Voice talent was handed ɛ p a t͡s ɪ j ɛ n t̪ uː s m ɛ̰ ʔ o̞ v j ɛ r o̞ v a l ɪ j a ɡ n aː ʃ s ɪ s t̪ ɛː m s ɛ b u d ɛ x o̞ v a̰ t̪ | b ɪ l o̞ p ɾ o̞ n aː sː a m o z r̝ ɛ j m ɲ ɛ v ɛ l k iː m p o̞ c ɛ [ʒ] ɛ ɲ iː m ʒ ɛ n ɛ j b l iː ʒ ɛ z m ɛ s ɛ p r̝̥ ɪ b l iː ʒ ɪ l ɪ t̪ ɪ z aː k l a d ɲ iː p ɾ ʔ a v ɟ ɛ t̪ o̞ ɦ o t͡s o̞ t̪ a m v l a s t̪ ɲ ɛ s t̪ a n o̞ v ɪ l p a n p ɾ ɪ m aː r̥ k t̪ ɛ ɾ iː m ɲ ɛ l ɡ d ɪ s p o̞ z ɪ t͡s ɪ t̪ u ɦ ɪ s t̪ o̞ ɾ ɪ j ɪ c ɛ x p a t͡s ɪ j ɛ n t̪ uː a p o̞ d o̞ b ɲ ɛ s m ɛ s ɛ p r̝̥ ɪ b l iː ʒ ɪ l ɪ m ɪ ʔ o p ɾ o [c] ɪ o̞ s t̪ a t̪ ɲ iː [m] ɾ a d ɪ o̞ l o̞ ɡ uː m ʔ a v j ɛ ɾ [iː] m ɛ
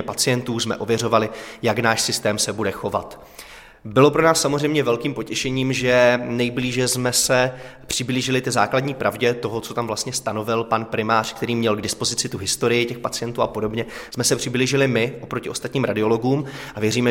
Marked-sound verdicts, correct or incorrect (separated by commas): incorrect, correct, correct, correct